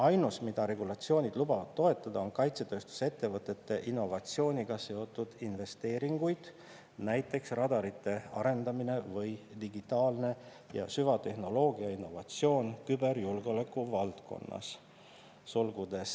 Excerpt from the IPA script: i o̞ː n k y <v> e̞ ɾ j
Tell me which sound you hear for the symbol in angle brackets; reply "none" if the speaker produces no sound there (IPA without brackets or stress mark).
b